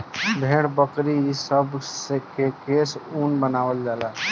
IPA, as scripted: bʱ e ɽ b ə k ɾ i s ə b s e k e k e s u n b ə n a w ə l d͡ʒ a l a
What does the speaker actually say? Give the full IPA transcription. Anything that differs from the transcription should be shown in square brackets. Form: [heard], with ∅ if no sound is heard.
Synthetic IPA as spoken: bʱ e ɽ b ə k ɾ i s ə b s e k e k e s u n b ə n a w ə l d͡ʒ a l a